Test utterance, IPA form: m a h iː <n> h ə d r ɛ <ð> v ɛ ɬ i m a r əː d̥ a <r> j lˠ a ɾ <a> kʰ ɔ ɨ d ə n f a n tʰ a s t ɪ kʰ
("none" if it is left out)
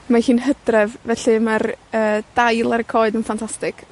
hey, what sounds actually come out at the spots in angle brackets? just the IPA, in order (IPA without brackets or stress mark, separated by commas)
n, v, none, ə